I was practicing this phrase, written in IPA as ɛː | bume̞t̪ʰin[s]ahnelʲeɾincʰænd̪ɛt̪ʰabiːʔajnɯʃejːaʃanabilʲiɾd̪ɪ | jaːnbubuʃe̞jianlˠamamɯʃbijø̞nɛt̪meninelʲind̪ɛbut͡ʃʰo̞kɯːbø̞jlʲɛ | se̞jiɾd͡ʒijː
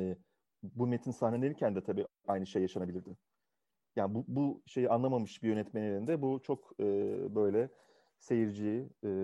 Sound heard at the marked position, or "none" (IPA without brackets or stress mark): s